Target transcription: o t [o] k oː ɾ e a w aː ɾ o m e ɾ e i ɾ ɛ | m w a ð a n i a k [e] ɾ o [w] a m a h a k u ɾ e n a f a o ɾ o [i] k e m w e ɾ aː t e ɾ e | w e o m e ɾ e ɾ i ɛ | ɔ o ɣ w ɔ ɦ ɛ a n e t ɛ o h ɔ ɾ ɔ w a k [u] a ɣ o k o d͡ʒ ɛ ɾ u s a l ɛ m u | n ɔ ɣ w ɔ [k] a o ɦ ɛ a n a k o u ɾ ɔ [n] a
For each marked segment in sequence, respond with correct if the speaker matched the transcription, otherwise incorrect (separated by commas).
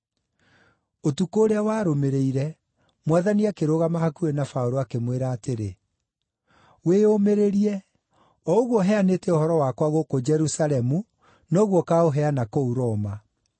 incorrect, correct, incorrect, incorrect, incorrect, correct, incorrect